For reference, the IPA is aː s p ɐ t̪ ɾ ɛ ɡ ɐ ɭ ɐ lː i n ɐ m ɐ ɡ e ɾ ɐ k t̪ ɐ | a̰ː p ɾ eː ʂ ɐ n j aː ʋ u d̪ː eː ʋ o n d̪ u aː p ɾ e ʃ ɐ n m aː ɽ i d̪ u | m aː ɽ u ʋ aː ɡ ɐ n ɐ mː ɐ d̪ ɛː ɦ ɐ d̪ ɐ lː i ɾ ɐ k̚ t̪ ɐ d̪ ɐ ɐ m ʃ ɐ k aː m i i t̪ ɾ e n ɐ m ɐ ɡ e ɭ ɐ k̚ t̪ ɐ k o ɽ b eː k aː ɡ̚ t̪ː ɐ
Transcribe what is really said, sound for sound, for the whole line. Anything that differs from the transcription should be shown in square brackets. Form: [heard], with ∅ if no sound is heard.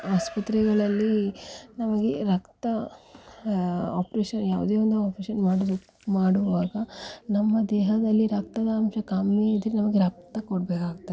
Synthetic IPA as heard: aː s p ɐ t̪ ɾ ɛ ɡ ɐ ɭ ɐ lː i n ɐ m ɐ ɡ e ɾ ɐ k t̪ ɐ | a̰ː p ɾ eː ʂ ɐ n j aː ʋ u [d̪] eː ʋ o n d̪ u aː p ɾ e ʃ ɐ n m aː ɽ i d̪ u | m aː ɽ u ʋ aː ɡ ɐ n ɐ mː ɐ d̪ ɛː ɦ ɐ d̪ ɐ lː i ɾ ɐ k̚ t̪ ɐ d̪ ɐ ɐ m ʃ ɐ k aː m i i [d̪] ɾ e n ɐ m ɐ ɡ e [ɾ] ɐ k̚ t̪ ɐ k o ɽ b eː k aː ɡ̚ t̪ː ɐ